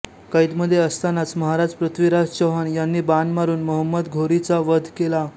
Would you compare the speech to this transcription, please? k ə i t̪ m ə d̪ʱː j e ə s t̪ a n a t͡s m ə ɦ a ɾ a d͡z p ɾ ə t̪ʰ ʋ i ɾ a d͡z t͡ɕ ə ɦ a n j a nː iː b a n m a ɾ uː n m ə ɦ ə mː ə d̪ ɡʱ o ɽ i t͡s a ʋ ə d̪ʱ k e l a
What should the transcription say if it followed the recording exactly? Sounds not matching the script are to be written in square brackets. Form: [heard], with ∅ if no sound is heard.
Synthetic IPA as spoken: k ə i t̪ m ə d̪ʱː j e ə s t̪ a n a t͡s m ə ɦ a ɾ a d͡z p ɾ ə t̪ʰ ʋ i ɾ a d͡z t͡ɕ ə ɦ a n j a nː iː b a n m a ɾ uː n m ə ɦ ə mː ə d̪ ɡʱ o [ɾ] i t͡s a ʋ ə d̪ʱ k e l a